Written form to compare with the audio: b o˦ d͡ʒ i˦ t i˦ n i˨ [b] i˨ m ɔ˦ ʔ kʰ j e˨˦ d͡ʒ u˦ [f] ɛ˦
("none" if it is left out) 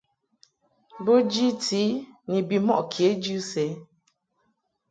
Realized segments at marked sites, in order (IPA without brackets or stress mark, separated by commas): b, s